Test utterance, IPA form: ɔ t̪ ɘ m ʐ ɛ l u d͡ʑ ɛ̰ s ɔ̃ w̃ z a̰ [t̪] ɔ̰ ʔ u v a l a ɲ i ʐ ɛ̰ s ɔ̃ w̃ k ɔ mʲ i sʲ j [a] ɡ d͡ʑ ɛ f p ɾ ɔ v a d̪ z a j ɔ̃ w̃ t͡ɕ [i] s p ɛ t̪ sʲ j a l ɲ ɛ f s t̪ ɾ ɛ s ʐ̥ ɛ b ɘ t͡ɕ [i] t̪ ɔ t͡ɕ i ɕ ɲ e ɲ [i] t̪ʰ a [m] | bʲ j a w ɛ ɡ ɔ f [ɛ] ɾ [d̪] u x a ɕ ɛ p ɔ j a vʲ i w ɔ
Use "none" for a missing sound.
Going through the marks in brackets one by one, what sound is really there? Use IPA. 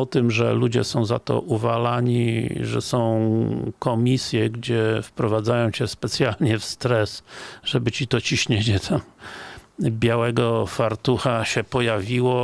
t̪, ɛ, ɛ, i, ɛ, m, a, t̪

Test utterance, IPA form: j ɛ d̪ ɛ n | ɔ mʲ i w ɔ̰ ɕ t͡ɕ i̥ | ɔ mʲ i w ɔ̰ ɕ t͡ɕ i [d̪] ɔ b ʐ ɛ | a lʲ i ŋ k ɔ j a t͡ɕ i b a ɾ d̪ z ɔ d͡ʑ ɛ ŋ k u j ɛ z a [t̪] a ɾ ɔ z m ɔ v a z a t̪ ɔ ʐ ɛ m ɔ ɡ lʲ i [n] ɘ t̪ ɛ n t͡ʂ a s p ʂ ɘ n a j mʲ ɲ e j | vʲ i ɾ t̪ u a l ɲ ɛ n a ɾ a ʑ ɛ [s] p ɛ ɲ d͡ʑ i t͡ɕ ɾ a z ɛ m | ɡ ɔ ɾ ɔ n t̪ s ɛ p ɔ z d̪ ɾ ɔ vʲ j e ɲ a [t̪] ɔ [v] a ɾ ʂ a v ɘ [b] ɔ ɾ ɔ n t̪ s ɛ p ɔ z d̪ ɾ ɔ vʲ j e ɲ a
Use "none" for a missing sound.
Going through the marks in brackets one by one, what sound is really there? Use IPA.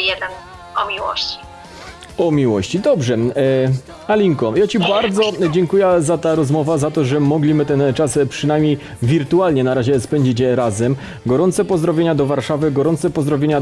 d̪, t̪, m, s, d̪, v, ɡ

